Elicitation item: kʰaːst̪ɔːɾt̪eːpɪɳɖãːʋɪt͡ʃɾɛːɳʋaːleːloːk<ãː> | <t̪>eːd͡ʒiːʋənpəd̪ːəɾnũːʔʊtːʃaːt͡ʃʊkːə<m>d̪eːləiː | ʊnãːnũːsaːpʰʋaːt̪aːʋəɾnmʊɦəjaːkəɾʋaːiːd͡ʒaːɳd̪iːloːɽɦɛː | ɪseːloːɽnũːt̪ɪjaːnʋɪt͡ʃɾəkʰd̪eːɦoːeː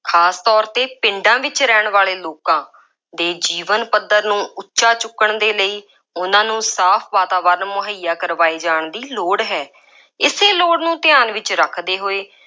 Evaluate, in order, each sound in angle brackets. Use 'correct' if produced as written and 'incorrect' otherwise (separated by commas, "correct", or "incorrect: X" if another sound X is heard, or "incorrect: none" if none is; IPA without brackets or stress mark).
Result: correct, incorrect: d̪, incorrect: ɳ